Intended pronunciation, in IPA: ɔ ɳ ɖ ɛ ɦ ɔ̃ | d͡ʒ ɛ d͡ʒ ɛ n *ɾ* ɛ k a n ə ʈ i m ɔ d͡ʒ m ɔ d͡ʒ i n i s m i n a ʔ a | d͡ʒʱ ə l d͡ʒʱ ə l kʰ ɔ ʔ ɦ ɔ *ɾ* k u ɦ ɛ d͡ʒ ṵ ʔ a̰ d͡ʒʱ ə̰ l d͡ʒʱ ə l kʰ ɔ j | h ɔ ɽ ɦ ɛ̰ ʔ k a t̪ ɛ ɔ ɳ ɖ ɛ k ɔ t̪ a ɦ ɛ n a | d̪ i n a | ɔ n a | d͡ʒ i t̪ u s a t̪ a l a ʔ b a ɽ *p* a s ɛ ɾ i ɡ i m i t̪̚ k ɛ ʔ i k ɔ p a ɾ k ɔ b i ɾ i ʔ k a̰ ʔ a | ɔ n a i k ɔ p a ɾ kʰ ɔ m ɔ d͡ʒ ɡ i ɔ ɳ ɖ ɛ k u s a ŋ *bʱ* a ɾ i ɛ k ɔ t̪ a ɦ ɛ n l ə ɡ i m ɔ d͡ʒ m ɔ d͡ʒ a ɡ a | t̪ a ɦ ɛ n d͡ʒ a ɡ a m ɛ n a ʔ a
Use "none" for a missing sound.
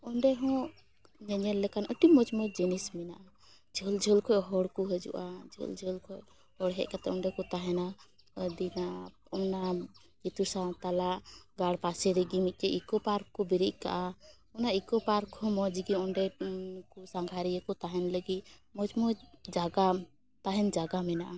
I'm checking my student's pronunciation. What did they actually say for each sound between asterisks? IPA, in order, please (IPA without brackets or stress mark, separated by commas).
l, ɽ, p, ɡʱ